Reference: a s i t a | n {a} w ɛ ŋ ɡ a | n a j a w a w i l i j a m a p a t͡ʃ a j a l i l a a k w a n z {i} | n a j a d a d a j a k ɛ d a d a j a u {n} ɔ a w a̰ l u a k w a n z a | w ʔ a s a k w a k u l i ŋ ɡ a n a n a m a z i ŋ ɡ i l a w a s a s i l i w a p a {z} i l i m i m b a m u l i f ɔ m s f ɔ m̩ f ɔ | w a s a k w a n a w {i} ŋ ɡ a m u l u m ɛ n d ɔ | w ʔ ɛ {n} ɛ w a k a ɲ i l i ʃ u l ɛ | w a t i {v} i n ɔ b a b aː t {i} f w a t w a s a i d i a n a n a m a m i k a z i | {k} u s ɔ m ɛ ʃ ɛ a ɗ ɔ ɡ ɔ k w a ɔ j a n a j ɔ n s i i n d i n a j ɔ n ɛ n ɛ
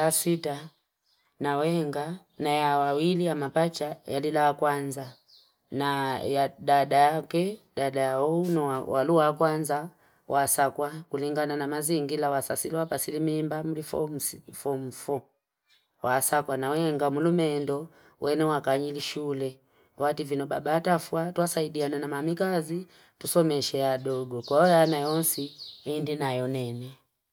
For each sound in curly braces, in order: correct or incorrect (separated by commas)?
correct, incorrect, correct, incorrect, incorrect, correct, correct, incorrect, incorrect